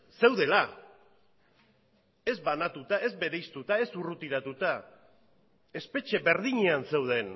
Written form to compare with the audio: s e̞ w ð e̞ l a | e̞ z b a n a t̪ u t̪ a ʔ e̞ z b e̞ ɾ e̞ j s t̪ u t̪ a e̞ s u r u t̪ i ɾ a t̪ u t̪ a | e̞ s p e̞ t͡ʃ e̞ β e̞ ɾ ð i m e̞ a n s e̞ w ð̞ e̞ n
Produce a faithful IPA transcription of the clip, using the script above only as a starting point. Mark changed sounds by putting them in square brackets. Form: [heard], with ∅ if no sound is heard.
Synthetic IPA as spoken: s e̞ w ð e̞ l a | e̞ z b a n a t̪ u t̪ a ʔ e̞ z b e̞ ɾ e̞ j s t̪ u t̪ a e̞ s u r u t̪ i ɾ a t̪ u t̪ a | e̞ s p e̞ t͡ʃ e̞ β e̞ ɾ ð i [ɲ] e̞ a n s e̞ w ð̞ e̞ n